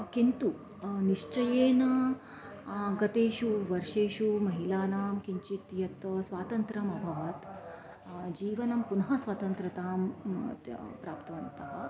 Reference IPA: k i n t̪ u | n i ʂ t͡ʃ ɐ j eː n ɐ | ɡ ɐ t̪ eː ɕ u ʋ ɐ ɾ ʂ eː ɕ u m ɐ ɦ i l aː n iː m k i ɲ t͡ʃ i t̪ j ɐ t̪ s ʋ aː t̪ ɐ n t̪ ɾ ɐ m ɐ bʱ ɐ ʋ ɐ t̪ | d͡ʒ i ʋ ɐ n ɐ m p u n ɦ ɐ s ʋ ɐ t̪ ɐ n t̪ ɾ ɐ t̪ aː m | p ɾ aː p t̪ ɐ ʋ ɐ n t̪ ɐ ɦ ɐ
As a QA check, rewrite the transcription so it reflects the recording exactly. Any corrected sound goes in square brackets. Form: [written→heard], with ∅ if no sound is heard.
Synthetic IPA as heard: k i n t̪ u | n i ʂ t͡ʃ ɐ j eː n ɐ | ɡ ɐ t̪ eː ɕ u ʋ ɐ ɾ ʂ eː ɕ u m ɐ ɦ i l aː n [iː→aː] m k i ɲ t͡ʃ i t̪ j ɐ t̪ s ʋ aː t̪ ɐ n t̪ ɾ ɐ m ɐ bʱ ɐ ʋ ɐ t̪ | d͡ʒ [i→iː] ʋ ɐ n ɐ m p u n ɦ ɐ s ʋ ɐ t̪ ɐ n t̪ ɾ ɐ t̪ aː m | p ɾ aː p t̪ ɐ ʋ ɐ n t̪ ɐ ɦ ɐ